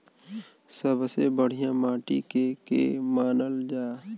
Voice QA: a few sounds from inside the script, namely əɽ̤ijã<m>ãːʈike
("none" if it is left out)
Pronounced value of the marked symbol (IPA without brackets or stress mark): m